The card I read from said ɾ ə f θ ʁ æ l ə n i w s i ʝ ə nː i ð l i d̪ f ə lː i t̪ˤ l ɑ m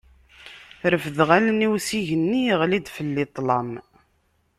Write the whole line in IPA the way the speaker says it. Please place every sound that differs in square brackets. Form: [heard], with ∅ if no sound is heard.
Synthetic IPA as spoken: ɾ ə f [ð] ʁ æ l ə n i w s i ʝ ə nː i [ʁ] l i d̪ f ə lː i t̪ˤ l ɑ m